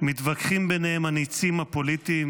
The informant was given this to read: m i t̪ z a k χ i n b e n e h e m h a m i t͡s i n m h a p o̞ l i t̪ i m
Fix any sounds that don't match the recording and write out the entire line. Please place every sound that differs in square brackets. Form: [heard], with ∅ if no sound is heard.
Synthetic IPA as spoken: m i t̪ [v] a k χ i [m] b e n e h e m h a [n] i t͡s i [∅] m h a p o̞ l i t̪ i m